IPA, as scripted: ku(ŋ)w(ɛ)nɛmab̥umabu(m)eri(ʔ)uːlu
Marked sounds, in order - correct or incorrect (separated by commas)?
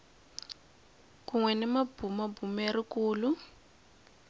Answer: correct, correct, correct, incorrect